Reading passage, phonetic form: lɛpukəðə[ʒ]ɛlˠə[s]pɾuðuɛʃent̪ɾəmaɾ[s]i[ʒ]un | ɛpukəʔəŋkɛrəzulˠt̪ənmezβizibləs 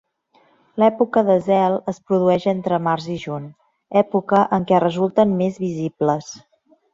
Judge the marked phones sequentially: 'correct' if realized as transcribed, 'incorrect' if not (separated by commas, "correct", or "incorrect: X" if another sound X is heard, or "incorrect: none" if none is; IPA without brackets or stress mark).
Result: incorrect: z, correct, incorrect: z, correct